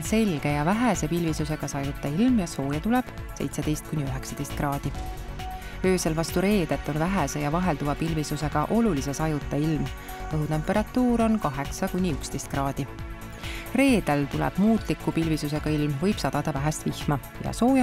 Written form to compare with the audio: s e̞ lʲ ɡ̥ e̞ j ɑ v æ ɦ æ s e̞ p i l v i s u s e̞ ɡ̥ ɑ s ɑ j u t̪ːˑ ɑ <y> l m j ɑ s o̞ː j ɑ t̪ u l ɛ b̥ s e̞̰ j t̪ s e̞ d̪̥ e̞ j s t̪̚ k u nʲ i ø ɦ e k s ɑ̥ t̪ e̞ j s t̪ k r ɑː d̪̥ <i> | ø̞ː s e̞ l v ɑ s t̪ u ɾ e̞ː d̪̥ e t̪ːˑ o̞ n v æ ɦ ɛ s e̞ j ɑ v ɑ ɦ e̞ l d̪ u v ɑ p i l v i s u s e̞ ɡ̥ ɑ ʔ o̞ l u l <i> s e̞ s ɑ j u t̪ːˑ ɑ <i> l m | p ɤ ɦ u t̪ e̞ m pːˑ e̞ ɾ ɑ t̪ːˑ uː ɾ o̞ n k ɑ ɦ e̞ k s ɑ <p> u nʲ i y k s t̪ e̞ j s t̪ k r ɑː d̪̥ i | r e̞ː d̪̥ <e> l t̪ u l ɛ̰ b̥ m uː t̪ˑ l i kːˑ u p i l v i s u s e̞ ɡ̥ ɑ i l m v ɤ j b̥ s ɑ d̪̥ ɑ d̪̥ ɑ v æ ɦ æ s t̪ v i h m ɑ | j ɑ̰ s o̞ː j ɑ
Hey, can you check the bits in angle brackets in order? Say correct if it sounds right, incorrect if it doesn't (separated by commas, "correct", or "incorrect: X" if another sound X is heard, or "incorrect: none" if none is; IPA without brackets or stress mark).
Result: incorrect: i, correct, correct, correct, incorrect: k, correct